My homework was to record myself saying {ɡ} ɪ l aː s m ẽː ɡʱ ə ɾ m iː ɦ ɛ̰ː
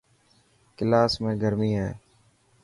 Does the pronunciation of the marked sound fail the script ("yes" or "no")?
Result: yes